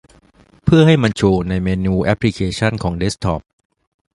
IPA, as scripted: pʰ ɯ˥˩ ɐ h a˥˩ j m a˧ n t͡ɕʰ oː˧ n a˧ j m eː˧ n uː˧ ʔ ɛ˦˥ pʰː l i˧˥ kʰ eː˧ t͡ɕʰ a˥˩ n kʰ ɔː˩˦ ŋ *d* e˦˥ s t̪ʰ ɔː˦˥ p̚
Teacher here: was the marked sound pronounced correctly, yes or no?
yes